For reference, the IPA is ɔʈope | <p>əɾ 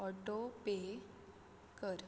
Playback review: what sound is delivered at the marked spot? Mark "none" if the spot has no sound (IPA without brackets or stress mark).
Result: k